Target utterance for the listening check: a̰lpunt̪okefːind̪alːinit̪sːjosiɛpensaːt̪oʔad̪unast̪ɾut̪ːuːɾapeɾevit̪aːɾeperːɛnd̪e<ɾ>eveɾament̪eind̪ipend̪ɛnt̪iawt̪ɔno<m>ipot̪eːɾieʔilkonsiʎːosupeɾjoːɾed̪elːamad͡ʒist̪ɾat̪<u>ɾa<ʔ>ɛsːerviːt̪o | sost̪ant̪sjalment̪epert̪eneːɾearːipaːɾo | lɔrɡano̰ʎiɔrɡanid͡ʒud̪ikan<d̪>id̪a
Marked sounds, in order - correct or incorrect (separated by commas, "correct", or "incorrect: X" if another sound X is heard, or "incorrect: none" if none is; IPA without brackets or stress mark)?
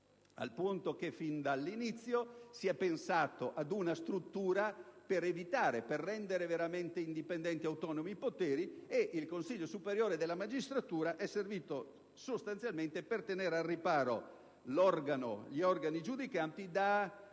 correct, correct, incorrect: uː, correct, incorrect: t̪